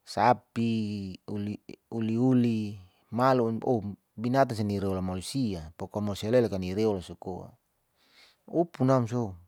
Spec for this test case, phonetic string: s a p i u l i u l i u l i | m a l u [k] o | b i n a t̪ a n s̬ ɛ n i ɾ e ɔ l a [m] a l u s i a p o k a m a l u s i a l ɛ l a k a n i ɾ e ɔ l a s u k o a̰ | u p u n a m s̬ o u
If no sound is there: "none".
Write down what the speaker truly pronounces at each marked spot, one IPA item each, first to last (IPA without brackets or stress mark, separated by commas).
none, m